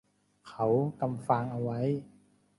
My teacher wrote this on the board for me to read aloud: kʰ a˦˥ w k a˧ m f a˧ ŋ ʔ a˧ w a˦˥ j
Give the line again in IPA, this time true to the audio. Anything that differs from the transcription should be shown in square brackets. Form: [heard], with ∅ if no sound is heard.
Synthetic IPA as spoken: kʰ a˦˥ w k a˧ m f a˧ ŋ ʔ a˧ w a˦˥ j